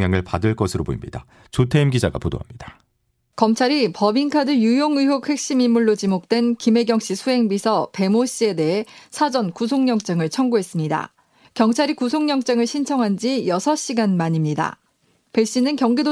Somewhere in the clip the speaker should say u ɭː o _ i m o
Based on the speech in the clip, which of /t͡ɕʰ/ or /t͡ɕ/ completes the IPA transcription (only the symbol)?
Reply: t͡ɕ